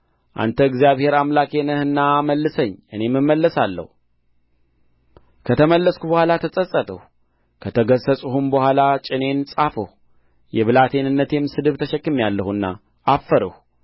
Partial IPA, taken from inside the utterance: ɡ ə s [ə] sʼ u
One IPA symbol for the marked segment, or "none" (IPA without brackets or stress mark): ə